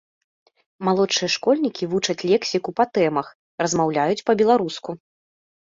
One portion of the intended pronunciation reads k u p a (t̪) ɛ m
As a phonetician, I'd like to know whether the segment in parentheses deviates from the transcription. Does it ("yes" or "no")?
no